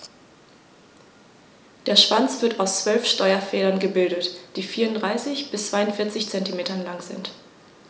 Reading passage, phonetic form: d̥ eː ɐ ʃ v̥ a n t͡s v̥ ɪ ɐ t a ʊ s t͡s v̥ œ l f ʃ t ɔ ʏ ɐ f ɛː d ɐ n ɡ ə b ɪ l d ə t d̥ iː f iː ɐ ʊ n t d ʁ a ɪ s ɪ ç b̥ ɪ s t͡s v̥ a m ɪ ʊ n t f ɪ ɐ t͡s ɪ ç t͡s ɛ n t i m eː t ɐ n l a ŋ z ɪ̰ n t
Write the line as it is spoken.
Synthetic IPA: d̥ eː ɐ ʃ v̥ a n t͡s v̥ ɪ ɐ t a ʊ s t͡s v̥ œ l f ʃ t ɔ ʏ ɐ f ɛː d ɐ n ɡ ə b ɪ l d ə t d̥ iː f iː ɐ ʊ n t d ʁ a ɪ s ɪ ç b̥ ɪ s t͡s v̥ a ɪ ʊ n t f ɪ ɐ t͡s ɪ ç t͡s ɛ n t i m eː t ɐ n l a ŋ z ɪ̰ n t